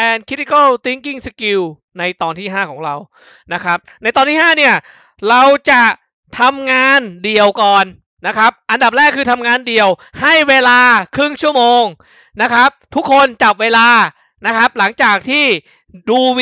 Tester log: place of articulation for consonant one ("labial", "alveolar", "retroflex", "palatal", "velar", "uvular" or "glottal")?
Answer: alveolar